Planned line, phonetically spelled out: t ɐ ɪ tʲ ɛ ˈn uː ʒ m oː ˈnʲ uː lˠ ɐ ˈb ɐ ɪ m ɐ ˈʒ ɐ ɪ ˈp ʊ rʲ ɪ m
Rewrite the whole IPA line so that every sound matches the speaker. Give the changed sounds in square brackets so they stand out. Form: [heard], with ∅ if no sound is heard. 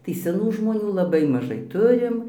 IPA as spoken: t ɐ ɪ [sʲ] ɛ ˈn uː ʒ m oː ˈnʲ uː lˠ ɐ ˈb ɐ ɪ m ɐ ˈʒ ɐ ɪ [ˈt] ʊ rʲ ɪ m

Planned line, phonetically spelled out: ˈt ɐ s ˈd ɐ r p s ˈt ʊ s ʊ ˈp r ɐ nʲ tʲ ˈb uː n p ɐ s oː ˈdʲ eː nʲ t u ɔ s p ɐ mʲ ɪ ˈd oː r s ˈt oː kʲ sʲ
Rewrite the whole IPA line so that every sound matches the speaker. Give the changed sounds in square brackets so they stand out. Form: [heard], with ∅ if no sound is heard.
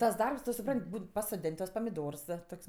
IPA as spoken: ˈt ɐ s ˈd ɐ r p s ˈt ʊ s ʊ ˈp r ɐ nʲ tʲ ˈb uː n p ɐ s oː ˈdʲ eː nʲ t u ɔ s p ɐ mʲ ɪ ˈd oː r s ˈt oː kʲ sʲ

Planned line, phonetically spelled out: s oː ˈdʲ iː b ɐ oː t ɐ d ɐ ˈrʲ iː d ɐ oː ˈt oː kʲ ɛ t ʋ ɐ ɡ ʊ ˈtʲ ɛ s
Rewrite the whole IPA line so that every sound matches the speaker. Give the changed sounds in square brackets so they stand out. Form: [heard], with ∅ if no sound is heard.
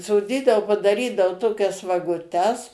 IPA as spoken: s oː ˈdʲ iː [d] ɐ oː [p] ɐ d ɐ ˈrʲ iː d ɐ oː ˈt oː kʲ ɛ [s] ʋ ɐ ɡ ʊ ˈtʲ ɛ s

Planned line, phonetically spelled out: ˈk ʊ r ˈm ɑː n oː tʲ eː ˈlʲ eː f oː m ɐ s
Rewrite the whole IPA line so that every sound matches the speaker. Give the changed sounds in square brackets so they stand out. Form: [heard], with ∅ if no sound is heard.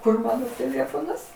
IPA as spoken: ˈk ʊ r ˈm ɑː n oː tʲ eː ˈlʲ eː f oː [n] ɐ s

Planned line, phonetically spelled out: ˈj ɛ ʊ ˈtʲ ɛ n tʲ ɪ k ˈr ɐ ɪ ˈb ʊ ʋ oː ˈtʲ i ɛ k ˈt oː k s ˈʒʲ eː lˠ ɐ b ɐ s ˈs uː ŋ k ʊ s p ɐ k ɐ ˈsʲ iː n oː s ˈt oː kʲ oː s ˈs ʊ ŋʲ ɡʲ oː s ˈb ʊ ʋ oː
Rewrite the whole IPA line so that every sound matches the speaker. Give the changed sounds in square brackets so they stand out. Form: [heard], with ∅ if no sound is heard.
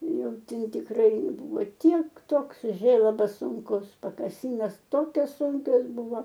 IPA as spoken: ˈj ɛ ʊ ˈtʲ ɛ n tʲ ɪ k ˈr ɐ ɪ ˈb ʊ ʋ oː ˈtʲ i ɛ k ˈt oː k s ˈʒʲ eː lˠ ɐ b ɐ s ˈs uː ŋ k ʊ s p ɐ k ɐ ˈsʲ iː n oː s ˈt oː kʲ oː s ˈs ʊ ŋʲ [kʲ] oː s ˈb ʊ ʋ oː

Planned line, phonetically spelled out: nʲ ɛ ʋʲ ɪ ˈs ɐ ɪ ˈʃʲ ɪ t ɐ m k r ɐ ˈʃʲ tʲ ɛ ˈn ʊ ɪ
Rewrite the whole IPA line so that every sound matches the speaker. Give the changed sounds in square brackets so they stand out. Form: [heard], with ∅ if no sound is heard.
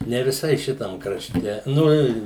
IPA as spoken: nʲ ɛ ʋʲ ɪ ˈs ɐ ɪ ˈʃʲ ɪ t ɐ m k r ɐ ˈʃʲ tʲ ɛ ˈn ʊ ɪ

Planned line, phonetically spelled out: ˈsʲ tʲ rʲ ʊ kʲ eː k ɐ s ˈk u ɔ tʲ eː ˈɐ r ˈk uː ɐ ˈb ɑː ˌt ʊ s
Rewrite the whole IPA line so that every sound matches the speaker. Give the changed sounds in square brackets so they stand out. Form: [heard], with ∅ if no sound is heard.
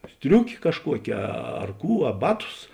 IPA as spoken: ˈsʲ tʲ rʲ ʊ kʲ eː k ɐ [ʃ] ˈk u ɔ [kʲ] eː ˈɐ r ˈk uː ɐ ˈb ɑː ˌt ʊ s

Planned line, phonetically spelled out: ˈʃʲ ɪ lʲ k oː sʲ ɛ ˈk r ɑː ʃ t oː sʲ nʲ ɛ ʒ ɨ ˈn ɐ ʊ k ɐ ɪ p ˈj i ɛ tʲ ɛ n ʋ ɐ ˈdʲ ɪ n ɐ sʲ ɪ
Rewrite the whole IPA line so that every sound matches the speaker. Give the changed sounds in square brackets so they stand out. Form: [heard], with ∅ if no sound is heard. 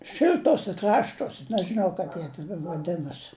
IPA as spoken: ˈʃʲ ɪ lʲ [t] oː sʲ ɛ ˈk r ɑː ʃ t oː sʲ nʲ ɛ ʒ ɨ ˈn ɐ ʊ k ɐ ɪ p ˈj i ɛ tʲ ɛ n ʋ ɐ ˈdʲ ɪ n ɐ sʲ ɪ

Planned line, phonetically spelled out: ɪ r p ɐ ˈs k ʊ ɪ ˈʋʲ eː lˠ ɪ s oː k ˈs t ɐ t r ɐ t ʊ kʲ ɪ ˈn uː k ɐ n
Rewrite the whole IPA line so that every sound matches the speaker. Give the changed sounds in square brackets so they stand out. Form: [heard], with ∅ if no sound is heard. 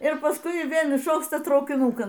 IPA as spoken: ɪ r p ɐ ˈs k ʊ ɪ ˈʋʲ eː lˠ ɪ [ʃ] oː k ˈs t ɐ t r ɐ [∅] ʊ kʲ ɪ ˈn uː k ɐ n

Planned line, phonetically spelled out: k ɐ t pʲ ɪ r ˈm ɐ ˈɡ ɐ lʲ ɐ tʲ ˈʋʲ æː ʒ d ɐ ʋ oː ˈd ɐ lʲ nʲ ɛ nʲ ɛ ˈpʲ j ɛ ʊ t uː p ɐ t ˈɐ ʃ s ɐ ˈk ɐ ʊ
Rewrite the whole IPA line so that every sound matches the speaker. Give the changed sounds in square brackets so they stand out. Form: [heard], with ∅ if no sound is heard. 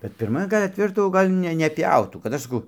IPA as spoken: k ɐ t pʲ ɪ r ˈm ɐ ˈɡ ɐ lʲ ɐ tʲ ˈʋʲ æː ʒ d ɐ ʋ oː [ˈɡ] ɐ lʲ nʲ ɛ nʲ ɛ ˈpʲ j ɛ ʊ t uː [k] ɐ t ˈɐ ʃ s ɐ ˈk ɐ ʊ

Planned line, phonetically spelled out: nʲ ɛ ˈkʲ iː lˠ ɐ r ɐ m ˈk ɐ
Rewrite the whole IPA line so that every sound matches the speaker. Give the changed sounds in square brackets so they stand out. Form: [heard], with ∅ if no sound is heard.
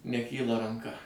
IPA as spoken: nʲ ɛ ˈkʲ iː lˠ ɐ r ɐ [ŋ] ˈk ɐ

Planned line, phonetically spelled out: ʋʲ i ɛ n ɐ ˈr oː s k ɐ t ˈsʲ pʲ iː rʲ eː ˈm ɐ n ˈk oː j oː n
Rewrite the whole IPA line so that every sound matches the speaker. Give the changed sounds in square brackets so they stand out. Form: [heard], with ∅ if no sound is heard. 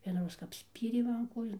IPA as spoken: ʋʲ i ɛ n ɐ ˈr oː s k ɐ [p] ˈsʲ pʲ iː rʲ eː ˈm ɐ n ˈk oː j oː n

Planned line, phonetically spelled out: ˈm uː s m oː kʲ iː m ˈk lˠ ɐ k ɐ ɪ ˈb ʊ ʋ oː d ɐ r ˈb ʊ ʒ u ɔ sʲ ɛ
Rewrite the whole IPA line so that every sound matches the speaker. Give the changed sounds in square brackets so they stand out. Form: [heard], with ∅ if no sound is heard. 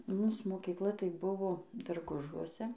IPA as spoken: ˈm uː s m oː kʲ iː [∅] ˈk lˠ ɐ [t] ɐ ɪ ˈb ʊ ʋ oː d ɐ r [ˈɡ] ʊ ʒ u ɔ sʲ ɛ

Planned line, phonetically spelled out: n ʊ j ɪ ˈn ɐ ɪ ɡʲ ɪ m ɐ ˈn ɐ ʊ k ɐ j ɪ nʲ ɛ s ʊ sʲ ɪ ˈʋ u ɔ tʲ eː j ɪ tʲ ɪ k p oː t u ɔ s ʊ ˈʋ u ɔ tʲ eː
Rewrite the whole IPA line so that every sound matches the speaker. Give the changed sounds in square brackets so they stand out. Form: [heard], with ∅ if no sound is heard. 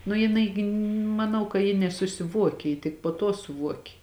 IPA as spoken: n ʊ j ɪ ˈn ɐ ɪ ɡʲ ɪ m ɐ ˈn ɐ ʊ k ɐ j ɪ nʲ ɛ s ʊ sʲ ɪ ˈʋ u ɔ [kʲ] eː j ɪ tʲ ɪ k p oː t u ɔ s ʊ ˈʋ u ɔ [kʲ] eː

